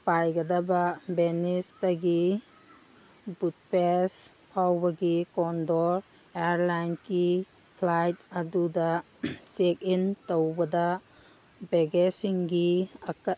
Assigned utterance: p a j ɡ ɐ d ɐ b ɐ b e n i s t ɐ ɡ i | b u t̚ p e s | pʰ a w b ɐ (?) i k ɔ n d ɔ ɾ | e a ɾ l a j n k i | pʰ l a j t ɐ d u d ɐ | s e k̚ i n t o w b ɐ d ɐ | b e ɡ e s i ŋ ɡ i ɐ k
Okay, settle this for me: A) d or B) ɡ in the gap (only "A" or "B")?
B